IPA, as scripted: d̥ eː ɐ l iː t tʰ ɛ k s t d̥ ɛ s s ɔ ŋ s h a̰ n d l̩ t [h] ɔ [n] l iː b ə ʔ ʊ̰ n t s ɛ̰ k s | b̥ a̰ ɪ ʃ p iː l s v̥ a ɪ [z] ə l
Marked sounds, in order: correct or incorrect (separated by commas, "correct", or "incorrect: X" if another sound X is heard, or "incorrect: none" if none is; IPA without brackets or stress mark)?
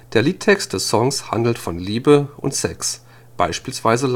incorrect: f, correct, correct